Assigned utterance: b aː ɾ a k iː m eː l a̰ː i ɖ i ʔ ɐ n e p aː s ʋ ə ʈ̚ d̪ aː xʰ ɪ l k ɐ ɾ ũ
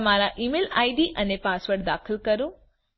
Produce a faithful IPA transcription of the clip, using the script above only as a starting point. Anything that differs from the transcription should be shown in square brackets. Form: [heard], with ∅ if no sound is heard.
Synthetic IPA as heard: [m] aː ɾ a [ʔ] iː m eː l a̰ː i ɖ i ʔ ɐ n e p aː s ʋ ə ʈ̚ d̪ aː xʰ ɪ l k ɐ ɾ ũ

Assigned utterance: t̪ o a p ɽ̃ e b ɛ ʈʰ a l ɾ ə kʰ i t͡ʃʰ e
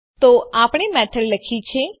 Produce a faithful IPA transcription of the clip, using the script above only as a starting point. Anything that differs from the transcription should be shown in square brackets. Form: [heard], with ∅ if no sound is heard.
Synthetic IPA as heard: t̪ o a p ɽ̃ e [m] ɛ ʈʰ [ə] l [l] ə kʰ i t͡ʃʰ e

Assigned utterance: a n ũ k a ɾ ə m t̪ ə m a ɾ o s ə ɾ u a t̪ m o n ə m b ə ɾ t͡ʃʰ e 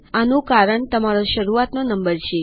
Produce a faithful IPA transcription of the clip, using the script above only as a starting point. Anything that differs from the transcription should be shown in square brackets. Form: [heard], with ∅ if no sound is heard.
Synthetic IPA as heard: a n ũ k a ɾ ə [ɳ] t̪ ə m a ɾ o [ʃ] ə ɾ u a t̪ [n] o n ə m b ə ɾ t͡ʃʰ e

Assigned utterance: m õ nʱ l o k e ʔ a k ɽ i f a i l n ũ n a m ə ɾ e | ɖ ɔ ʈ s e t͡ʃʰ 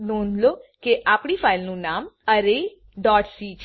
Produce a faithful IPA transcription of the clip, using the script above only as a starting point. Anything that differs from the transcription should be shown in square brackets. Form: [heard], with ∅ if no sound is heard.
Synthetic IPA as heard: [n] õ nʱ l o k e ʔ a [p] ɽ i f a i l n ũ n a m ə ɾ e | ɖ ɔ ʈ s [i] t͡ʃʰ

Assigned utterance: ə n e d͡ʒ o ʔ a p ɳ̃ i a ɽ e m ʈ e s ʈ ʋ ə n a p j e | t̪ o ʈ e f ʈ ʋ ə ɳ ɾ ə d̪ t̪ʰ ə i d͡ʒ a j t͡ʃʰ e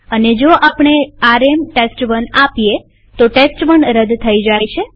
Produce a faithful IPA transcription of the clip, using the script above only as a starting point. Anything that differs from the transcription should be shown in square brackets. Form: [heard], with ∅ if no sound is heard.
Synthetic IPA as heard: ə n e d͡ʒ o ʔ a p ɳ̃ [e] a [ɾ] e m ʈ e s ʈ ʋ ə n a p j e | t̪ o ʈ e [s] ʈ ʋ ə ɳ ɾ ə d̪ t̪ʰ ə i d͡ʒ a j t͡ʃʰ e

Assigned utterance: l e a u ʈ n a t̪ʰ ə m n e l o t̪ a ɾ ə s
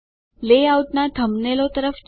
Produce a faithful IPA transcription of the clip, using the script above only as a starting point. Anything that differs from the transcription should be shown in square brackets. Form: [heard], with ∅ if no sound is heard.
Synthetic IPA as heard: l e a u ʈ n a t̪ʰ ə m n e l o t̪ [ə] ɾ ə [f]

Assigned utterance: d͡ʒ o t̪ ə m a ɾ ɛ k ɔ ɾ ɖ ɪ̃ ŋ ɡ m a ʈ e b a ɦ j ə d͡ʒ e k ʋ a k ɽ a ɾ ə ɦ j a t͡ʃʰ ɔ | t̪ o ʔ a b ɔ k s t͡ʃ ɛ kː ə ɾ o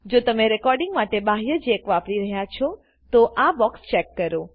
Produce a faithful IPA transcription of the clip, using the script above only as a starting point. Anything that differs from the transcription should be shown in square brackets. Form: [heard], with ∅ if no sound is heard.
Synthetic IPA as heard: d͡ʒ o t̪ ə m [e] ɾ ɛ k ɔ ɾ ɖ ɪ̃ ŋ ɡ m a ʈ e b a ɦ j ə d͡ʒ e k ʋ a [p] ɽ [i] ɾ ə ɦ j a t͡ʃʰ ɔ | t̪ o ʔ a b ɔ k s t͡ʃ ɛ kː ə ɾ o

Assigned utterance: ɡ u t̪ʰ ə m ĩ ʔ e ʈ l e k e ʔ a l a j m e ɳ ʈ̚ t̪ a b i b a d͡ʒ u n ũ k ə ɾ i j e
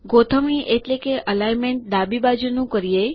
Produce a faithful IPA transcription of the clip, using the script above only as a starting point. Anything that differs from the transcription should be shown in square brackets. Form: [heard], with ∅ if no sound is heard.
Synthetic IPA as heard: ɡ [o] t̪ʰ ə m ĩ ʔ e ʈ l e k e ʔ [ə] l a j m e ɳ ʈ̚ [d̪] a b i b a d͡ʒ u n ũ k ə ɾ i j e

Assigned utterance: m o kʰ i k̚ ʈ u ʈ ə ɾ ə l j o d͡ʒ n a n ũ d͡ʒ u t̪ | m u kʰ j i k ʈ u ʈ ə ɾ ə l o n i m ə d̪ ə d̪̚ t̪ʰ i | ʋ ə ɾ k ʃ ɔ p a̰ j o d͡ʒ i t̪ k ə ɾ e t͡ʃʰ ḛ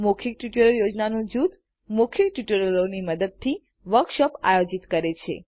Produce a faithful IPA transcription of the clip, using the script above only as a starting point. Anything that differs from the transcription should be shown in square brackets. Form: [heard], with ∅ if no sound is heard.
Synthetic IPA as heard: m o kʰ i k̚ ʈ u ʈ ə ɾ ə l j o d͡ʒ n a n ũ d͡ʒ u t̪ | m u kʰ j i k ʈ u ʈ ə ɾ ə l o n i m ə d̪ ə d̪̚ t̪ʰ i | ʋ ə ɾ k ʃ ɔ p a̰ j o d͡ʒ i t̪ k ə ɾ e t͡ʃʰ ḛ

